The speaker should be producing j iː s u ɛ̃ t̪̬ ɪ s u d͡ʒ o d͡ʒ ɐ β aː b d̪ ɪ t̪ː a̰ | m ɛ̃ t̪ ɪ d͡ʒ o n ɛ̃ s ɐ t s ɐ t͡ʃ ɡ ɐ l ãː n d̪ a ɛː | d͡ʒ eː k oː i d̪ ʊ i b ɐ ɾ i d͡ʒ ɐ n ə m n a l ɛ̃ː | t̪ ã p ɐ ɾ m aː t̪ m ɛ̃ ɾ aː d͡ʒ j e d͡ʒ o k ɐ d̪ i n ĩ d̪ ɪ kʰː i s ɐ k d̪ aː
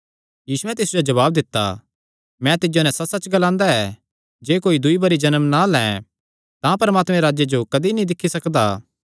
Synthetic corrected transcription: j iː s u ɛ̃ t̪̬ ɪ s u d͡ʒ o d͡ʒ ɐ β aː b d̪ ɪ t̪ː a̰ | m ɛ̃ t̪ ɪ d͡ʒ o n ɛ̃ s ɐ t s ɐ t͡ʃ ɡ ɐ l ãː n d̪ a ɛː | d͡ʒ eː k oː i d̪ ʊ i b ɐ ɾ i d͡ʒ ɐ n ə m n a l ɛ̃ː | t̪ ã p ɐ ɾ m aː t̪ m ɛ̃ ɾ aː d͡ʒ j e d͡ʒ o k ɐ d̪ i n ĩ d̪ ɪ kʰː i s ɐ k d̪ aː